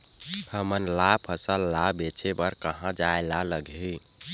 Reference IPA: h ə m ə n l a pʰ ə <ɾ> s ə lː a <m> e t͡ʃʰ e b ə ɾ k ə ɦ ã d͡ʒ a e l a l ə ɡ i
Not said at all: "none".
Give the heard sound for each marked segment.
none, b

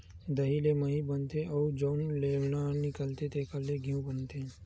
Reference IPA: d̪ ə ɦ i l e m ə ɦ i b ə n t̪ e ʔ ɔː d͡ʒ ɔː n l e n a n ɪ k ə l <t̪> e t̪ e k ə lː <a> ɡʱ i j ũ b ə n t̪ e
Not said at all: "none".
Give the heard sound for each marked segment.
t̪, e

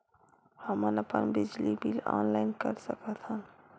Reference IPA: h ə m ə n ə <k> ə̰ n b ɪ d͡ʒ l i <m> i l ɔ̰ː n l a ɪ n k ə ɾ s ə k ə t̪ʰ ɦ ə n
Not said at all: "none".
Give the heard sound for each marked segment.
p, b

